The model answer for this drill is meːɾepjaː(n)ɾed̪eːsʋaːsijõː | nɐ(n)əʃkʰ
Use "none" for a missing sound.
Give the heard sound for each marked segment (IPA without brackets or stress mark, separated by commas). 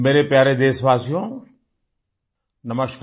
none, m